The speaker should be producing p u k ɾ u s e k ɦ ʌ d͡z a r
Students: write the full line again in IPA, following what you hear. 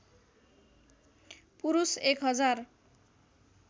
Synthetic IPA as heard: p u ɾ u s e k ɦ ʌ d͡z a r